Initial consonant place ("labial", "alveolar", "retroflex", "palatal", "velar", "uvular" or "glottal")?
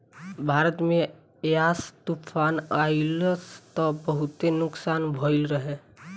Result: labial